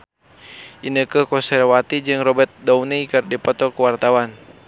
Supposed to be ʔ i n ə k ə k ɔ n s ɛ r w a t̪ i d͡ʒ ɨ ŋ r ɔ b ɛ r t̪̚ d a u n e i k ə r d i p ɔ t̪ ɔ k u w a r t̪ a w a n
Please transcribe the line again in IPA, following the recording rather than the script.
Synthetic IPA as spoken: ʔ i n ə k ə k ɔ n s ɛ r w a t̪ i d͡ʒ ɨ ŋ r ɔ b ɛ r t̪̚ d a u n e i k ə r d i p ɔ t̪ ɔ k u w a r t̪ a w a n

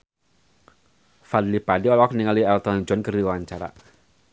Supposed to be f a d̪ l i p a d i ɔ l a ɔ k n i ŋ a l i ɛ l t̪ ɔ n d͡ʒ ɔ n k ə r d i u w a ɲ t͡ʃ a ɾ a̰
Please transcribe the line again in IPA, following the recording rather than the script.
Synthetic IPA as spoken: f a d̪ l i p a d i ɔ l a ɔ k n i ŋ a l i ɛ l t̪ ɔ n d͡ʒ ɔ n k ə r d i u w a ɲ t͡ʃ a ɾ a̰

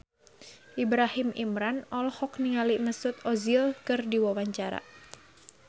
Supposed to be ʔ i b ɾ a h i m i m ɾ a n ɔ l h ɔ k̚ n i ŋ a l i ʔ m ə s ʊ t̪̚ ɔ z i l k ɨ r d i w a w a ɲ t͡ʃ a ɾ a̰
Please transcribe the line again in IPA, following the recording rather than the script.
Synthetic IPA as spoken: ʔ i b ɾ a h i m i m ɾ a n ɔ l h ɔ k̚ n i ŋ a l i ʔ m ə s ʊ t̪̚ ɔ z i l k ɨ r d i w a w a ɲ t͡ʃ a ɾ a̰

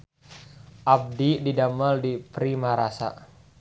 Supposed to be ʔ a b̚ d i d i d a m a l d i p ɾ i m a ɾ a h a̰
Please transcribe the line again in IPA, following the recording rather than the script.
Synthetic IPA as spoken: ʔ a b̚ d i d i d a m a l d i p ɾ i m a ɾ a s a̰

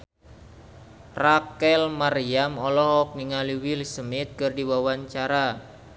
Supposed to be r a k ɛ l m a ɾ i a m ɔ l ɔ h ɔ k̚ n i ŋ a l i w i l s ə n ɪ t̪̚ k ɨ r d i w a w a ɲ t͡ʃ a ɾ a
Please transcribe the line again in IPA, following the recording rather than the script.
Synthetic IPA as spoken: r a k ɛ l m a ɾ i a m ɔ l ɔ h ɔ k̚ n i ŋ a l i w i l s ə m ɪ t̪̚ k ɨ r d i w a w a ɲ t͡ʃ a ɾ a

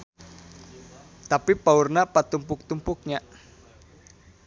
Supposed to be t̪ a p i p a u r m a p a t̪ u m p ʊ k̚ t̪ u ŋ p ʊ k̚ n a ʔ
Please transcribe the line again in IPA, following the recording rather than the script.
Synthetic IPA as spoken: t̪ a p i p a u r n a p a t̪ u m p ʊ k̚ t̪ u m p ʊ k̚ ɲ a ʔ

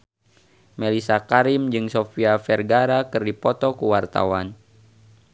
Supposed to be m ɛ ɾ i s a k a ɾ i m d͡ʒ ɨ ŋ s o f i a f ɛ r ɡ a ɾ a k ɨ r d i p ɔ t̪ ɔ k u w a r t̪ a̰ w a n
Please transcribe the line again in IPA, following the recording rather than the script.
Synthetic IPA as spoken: m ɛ l i s a k a ɾ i m d͡ʒ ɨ ŋ s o f i a f ɛ r ɡ a ɾ a k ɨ r d i p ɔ t̪ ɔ k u w a r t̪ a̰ w a n

